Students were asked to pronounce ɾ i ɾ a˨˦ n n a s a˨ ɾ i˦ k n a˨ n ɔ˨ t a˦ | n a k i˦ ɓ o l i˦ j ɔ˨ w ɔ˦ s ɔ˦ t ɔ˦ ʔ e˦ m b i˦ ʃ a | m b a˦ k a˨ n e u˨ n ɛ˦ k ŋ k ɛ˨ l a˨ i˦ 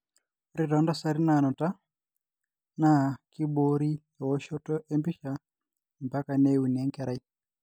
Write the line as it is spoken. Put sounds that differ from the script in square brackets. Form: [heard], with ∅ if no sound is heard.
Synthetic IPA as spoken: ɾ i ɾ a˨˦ n [d] a s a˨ ɾ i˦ [∅] n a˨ n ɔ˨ t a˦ | n a k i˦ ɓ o [ɾ] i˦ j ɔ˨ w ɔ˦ [ʃ] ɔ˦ t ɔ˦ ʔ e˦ m b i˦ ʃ a | m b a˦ k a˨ n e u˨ n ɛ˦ [∅] ŋ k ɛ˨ [ɾ] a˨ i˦